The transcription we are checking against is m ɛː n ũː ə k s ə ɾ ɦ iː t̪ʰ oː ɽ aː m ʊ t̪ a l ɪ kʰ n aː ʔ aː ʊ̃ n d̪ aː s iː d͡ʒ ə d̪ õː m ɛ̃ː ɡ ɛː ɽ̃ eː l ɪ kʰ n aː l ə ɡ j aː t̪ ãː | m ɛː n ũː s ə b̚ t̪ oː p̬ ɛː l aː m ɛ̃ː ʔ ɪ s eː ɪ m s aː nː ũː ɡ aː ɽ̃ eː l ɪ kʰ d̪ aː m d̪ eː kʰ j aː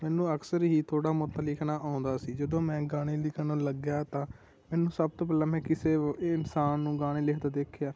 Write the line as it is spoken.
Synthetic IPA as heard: m ɛː n ũː ə k s ə ɾ ɦ iː t̪ʰ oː ɽ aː m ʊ t̪ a l ɪ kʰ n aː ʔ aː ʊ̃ n d̪ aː s iː d͡ʒ ə d̪ õː m ɛ̃ː ɡ aː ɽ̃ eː l ɪ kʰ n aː l ə ɡ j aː t̪ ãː | m ɛː n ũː s ə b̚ t̪ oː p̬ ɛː l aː m ɛ̃ː k ɪ s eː ɪ n s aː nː ũː ɡ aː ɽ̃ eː l ɪ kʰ d̪ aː d̪ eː kʰ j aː